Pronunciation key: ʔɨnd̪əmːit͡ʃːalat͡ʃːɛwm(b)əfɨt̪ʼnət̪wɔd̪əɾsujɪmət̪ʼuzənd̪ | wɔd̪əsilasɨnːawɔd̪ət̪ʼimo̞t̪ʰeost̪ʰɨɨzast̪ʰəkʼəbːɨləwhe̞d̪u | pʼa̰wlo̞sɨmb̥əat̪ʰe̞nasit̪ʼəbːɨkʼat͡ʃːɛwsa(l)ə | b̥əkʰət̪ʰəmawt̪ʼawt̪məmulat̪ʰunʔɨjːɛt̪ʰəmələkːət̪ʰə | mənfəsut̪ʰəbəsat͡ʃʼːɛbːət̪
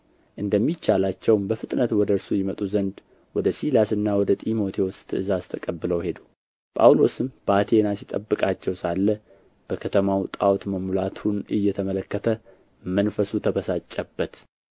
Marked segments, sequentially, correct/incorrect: correct, incorrect: lː

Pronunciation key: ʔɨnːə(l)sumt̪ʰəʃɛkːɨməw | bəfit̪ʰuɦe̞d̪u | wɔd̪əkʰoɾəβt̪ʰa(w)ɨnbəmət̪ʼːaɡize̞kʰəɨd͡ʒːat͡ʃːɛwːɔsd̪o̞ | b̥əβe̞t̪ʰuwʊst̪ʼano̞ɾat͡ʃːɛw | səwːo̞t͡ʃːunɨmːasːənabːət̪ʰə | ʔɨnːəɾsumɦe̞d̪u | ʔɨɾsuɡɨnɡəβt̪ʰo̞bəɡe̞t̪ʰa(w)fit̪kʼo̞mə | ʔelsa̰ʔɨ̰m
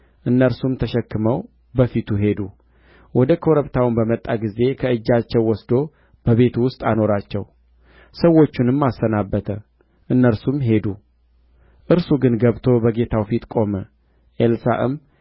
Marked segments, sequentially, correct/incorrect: incorrect: ɾ, correct, correct

